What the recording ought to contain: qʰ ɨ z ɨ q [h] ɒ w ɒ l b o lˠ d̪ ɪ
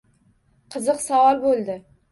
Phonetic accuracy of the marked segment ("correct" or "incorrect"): incorrect